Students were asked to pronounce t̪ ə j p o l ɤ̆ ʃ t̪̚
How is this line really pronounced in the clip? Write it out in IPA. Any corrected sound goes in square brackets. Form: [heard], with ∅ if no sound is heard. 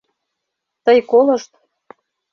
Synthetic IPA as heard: t̪ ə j [k] o l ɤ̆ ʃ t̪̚